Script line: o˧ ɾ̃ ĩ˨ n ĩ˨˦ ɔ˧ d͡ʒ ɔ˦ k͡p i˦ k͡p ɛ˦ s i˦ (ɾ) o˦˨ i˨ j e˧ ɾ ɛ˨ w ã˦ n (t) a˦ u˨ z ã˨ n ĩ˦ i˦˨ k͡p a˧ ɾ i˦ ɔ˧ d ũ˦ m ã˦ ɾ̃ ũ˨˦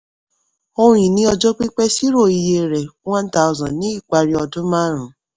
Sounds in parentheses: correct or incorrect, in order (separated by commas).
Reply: correct, correct